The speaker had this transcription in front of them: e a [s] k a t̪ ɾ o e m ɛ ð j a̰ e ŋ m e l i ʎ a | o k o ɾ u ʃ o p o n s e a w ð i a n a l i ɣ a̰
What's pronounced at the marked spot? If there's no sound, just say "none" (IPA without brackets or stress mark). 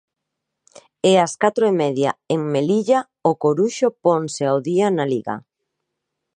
s